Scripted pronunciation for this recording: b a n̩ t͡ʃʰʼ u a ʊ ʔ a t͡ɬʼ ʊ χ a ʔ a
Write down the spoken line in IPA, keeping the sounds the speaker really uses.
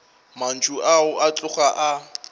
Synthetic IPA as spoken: m a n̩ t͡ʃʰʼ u a ʊ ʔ a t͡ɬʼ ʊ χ a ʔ a